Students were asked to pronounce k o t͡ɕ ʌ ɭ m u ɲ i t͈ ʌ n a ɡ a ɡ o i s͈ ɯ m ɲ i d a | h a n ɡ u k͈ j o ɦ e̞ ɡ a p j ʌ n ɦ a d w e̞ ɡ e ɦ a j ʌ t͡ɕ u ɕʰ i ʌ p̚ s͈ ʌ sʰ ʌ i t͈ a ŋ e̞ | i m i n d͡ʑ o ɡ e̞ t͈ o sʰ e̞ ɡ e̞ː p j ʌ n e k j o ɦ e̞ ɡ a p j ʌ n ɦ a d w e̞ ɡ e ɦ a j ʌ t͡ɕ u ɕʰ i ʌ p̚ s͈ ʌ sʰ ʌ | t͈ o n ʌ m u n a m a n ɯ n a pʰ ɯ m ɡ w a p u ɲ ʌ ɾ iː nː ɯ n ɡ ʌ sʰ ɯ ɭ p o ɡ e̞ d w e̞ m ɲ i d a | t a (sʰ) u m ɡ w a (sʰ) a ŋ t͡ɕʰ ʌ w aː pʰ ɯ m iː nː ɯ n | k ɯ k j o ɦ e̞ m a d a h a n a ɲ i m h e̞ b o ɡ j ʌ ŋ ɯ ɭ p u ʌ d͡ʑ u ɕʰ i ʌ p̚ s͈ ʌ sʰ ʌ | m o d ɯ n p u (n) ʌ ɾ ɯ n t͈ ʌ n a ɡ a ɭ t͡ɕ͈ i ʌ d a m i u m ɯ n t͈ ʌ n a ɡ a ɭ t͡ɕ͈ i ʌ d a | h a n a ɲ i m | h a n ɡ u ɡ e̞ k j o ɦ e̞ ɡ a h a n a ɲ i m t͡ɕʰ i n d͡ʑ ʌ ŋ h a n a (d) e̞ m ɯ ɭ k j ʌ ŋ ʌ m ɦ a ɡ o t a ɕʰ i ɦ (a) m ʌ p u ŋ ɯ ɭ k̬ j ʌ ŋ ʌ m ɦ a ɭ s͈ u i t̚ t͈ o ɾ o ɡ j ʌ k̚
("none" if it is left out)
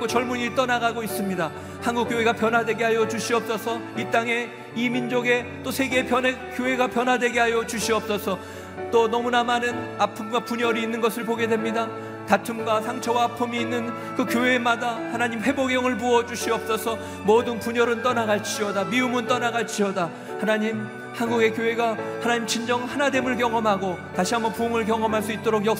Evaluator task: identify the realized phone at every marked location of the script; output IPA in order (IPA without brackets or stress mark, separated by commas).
tʰ, sʰ, ɲ, d, a